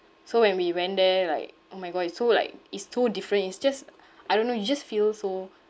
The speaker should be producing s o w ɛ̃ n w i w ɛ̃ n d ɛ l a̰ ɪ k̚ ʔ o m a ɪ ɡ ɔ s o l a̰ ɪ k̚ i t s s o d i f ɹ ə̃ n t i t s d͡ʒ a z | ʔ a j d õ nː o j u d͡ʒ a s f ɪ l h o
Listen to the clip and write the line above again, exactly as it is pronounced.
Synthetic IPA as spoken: s o w ɛ̃ n w i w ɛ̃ n d ɛ l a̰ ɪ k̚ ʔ o m a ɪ ɡ ɔ s o l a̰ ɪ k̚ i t s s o d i f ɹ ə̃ n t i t s d͡ʒ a s | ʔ a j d õ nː o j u d͡ʒ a s f i l s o